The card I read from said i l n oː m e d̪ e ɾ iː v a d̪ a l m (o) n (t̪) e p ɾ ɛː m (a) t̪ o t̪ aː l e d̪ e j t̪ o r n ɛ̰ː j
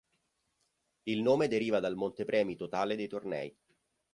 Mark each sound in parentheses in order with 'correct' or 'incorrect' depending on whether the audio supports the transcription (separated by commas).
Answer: correct, correct, incorrect